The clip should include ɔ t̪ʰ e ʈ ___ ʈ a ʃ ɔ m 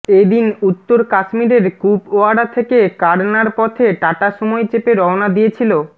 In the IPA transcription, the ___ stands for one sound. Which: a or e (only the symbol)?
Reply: a